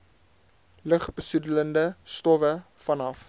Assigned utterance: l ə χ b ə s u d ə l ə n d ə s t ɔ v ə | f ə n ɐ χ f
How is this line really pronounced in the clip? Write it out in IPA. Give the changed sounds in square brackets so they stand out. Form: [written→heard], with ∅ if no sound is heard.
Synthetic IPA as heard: l ə χ b ə s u d ə l ə n d ə s t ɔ v ə | f [ə→ɐ] n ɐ [χ→∅] f